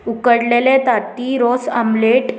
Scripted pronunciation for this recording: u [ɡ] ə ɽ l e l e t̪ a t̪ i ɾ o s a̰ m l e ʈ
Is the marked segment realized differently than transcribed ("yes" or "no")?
yes